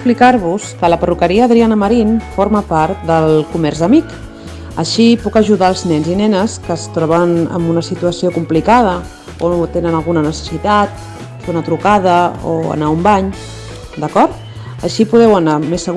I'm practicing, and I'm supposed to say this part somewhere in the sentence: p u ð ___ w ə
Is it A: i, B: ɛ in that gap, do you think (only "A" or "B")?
B